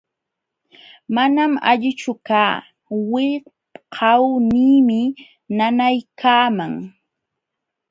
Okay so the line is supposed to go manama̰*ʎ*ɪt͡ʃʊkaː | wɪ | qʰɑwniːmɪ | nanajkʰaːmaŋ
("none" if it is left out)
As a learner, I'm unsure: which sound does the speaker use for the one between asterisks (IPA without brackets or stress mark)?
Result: ʎ